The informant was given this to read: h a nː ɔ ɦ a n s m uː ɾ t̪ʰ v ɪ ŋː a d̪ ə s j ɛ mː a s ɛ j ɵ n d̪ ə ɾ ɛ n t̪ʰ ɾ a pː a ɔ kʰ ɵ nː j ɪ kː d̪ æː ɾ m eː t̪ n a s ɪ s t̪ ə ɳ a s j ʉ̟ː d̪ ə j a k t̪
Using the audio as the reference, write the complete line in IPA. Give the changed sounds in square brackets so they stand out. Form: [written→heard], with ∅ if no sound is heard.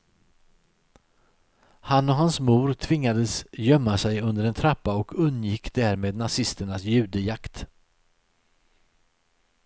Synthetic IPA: h a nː ɔ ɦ a n s m uː ɾ t̪ʰ v ɪ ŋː a d̪ ə s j [ɛ→œ] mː a s ɛ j ɵ n d̪ ə ɾ ɛ n t̪ʰ ɾ a pː a ɔ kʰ ɵ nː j ɪ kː d̪ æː ɾ m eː [t̪→d̪] n a s ɪ s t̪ ə ɳ a s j ʉ̟ː d̪ ə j a k t̪